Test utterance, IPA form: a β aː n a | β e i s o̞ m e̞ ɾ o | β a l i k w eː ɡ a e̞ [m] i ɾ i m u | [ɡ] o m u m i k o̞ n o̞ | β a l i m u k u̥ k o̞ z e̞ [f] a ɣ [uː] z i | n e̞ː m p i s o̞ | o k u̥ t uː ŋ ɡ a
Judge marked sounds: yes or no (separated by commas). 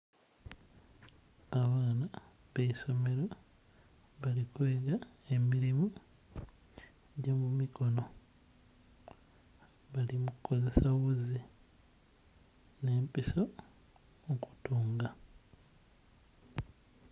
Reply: yes, no, no, no